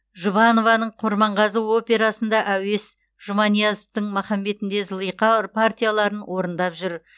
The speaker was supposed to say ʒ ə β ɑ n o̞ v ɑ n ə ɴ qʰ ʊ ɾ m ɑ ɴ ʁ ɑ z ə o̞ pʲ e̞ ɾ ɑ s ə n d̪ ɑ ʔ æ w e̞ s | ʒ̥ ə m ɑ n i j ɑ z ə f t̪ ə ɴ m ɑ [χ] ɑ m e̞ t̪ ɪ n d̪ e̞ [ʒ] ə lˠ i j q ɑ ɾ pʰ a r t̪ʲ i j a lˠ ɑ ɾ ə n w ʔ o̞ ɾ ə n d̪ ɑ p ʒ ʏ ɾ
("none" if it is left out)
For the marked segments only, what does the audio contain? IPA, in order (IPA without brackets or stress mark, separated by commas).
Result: χ, z